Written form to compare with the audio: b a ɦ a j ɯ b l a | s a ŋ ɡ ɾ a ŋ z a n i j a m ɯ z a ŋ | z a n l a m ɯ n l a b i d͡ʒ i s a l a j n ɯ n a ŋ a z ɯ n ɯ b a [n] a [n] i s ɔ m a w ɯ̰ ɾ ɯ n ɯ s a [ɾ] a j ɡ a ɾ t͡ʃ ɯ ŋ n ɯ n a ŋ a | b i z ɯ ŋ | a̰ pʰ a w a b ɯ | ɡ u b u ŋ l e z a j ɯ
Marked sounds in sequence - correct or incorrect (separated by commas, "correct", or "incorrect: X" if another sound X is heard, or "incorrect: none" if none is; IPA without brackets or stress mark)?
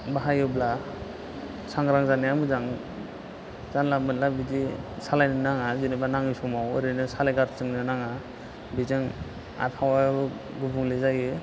correct, incorrect: ŋ, incorrect: l